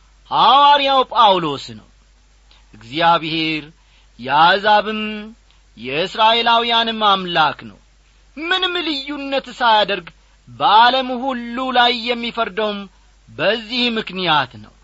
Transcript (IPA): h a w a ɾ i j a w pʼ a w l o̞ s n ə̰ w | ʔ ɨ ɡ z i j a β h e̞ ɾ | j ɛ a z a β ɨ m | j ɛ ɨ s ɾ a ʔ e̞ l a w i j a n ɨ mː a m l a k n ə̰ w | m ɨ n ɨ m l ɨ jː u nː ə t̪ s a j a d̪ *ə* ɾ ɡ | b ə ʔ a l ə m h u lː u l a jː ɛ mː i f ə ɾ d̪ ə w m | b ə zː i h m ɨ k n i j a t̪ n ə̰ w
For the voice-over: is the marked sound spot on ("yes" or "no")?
yes